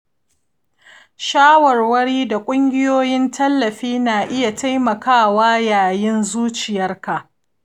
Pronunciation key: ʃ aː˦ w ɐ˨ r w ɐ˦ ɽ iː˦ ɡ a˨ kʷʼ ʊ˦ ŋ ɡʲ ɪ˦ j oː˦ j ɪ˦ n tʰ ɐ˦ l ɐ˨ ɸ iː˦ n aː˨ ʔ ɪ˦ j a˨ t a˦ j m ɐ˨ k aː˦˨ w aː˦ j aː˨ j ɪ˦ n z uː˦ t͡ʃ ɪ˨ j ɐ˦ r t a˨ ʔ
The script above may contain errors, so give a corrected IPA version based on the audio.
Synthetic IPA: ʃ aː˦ w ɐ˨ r w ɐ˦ ɽ iː˦ d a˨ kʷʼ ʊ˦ ŋ ɡʲ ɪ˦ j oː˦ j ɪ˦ n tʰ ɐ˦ lː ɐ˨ ɸ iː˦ n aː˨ ʔ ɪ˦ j a˨ t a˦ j m ɐ˨ k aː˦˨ w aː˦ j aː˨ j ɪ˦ n z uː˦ t͡ʃ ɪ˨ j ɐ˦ r k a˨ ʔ